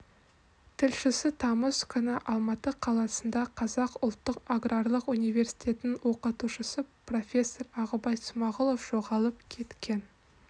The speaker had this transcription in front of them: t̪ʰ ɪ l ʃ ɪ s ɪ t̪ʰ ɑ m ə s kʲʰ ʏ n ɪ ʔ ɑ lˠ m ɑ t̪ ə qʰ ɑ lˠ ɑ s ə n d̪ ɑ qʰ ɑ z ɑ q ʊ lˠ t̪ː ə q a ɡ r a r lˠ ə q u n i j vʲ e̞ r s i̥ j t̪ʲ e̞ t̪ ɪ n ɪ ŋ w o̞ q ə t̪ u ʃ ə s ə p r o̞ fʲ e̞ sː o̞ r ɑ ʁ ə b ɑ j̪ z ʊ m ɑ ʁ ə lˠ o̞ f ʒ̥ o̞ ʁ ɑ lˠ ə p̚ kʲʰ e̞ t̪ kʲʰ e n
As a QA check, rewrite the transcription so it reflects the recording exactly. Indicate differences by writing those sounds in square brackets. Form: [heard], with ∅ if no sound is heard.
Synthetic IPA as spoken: t̪ʰ ɪ l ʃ ɪ s ɪ t̪ʰ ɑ m ə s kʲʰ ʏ n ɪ ʔ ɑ lˠ m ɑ t̪ ə qʰ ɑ lˠ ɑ s ə n d̪ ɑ qʰ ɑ z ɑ q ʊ lˠ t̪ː ə q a ɡ r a r lˠ ə q u n i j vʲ e̞ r s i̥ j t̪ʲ e̞ t̪ ɪ n ɪ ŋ w o̞ q ə t̪ u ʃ ə s ə p r o̞ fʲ e̞ sː o̞ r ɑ ʁ ə b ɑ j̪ [s] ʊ m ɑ ʁ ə lˠ o̞ f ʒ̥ o̞ ʁ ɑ lˠ ə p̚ kʲʰ e̞ t̪ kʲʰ e n